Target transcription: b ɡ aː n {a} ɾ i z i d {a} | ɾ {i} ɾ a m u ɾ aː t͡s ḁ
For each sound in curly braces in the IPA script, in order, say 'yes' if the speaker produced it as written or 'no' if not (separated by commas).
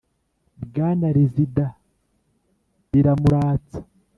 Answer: yes, yes, yes